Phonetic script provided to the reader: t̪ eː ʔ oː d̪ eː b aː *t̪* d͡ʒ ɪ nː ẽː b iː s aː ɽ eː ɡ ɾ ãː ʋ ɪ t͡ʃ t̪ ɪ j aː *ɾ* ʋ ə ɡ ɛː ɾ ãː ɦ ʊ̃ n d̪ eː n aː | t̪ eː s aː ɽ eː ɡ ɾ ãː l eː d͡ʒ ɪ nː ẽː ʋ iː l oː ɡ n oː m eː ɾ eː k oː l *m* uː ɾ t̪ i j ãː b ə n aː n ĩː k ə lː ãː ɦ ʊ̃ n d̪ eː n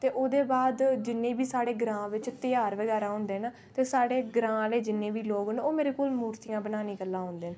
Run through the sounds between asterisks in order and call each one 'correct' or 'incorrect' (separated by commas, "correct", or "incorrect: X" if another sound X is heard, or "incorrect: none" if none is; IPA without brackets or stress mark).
incorrect: d̪, correct, correct